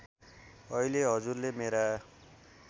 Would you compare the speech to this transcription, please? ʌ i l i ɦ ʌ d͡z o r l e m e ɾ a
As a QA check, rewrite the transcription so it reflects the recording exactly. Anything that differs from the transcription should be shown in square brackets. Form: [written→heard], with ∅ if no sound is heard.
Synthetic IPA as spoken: ʌ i l [i→e] ɦ ʌ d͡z [o→u] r l e m e ɾ a